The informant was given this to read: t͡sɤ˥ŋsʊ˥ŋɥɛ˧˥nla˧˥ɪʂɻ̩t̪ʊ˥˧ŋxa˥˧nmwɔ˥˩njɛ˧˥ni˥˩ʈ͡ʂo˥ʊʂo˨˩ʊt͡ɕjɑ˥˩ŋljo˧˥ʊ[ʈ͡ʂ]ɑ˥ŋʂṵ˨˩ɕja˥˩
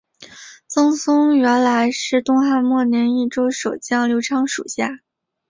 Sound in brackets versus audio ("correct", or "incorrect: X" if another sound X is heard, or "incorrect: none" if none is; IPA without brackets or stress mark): incorrect: ʈ͡ʂʰ